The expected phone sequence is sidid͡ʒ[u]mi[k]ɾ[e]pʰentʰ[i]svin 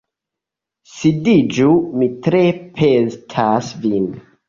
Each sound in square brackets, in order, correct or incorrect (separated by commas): correct, incorrect, correct, incorrect